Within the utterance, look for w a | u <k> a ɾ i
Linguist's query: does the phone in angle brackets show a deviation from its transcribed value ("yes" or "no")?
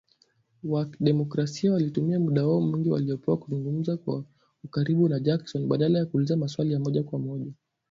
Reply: no